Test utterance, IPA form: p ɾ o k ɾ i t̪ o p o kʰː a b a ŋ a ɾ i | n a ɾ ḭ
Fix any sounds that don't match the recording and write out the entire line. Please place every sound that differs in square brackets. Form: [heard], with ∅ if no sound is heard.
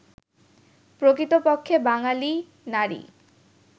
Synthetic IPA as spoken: p ɾ o k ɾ i t̪ o p o kʰː [e] b a ŋ a [l] i | n a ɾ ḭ

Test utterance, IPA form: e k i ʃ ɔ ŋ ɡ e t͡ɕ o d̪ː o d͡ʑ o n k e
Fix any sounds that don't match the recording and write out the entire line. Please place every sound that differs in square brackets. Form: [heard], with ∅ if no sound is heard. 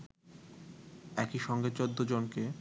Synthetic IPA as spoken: [ɛ] k i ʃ ɔ ŋ ɡ e t͡ɕ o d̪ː o d͡ʑ o n k e

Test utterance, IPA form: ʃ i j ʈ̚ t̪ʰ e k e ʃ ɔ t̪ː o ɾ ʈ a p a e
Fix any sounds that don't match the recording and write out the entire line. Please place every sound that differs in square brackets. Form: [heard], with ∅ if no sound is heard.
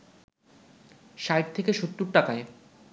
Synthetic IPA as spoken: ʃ [a] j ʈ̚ t̪ʰ e k e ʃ [o] t̪ː [u] ɾ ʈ a [k] a e

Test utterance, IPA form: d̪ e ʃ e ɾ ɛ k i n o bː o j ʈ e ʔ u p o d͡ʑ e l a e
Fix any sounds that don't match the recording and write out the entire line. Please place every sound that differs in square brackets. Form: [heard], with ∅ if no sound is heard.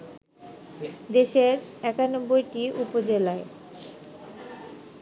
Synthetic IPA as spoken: d̪ e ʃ e ɾ ɛ k [a] n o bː o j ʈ [i] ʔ u p o d͡ʑ e l a e

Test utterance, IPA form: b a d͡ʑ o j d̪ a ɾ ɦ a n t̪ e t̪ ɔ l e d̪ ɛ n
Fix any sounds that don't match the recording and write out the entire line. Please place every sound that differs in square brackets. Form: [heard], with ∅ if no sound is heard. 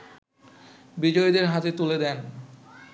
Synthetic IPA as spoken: b [i] d͡ʑ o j d̪ [e] ɾ ɦ a [∅] t̪ e t̪ [u] l e d̪ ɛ n

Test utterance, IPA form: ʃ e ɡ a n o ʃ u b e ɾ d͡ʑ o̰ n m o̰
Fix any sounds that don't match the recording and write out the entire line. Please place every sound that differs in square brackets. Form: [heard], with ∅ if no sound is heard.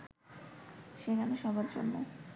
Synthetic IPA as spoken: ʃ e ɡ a n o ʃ [ɔ] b [a] ɾ d͡ʑ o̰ n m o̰

